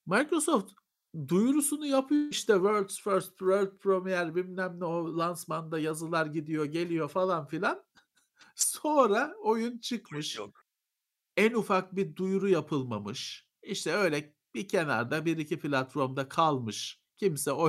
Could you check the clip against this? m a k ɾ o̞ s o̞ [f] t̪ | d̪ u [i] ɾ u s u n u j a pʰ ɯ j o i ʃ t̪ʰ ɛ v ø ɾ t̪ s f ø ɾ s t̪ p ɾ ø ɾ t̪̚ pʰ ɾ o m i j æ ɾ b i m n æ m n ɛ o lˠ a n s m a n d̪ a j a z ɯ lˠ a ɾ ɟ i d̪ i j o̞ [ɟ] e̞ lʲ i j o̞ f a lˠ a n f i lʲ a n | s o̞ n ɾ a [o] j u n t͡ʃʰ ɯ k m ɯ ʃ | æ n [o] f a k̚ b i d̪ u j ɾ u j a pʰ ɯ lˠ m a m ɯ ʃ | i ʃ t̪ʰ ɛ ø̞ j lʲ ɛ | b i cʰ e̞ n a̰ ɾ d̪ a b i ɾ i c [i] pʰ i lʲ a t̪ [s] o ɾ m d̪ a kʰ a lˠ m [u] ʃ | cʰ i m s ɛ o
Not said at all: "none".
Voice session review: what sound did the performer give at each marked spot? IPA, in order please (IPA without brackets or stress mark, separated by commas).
f, j, ɟ, o, u, i, f, ɯ